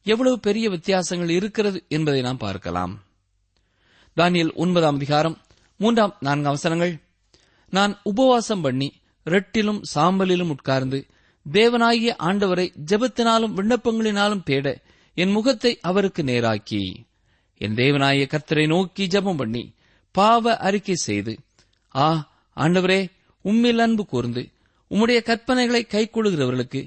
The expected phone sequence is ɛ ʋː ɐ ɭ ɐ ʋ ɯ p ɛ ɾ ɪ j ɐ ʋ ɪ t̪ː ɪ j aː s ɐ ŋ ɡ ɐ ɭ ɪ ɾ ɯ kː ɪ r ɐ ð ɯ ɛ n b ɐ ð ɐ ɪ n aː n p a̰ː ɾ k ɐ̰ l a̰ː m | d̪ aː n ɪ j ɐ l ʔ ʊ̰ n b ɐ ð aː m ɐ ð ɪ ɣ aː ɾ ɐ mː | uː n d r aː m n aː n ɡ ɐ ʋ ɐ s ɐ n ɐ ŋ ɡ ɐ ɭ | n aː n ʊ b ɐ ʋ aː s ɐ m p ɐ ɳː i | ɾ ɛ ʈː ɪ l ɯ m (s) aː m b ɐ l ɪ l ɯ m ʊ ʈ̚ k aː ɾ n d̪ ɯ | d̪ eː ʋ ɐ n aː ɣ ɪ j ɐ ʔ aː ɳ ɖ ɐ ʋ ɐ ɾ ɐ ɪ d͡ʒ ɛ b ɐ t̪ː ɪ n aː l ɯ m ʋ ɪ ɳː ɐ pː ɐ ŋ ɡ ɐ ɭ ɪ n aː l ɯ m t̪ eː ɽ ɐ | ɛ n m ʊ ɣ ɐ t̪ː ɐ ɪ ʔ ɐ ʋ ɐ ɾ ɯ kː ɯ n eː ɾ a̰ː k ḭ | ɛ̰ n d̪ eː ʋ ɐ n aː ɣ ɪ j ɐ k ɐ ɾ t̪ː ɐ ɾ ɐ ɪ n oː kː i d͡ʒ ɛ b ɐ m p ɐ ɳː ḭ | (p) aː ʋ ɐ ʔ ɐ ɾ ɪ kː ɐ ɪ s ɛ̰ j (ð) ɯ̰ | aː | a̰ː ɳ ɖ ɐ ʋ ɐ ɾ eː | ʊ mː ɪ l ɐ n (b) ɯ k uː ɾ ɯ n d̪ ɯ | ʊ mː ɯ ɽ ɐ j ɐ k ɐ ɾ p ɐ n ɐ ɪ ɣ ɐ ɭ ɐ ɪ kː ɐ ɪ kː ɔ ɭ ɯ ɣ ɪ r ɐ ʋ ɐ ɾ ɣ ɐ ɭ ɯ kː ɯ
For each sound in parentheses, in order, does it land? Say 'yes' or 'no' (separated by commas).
yes, yes, yes, yes